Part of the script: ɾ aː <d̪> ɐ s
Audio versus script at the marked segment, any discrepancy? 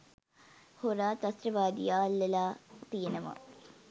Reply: yes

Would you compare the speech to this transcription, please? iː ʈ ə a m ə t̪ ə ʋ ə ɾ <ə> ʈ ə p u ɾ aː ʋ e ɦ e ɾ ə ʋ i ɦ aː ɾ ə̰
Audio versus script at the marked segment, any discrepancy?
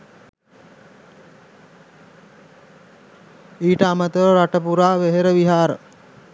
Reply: yes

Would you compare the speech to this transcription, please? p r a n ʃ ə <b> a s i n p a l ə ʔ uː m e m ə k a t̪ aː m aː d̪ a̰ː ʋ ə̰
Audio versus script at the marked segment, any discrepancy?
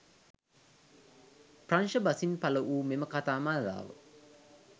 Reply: no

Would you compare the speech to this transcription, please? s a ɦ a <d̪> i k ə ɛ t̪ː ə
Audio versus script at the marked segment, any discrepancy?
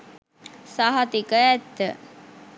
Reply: yes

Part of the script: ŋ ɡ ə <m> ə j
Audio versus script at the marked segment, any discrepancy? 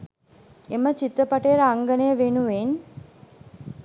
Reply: yes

